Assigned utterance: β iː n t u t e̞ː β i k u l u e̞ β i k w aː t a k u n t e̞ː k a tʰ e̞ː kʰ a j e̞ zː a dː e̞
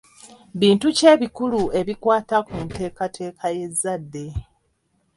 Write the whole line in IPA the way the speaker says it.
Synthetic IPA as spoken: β iː n t u c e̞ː β i k u l u e̞ β i k w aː t a k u n t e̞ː k a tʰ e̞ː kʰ a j e̞ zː a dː e̞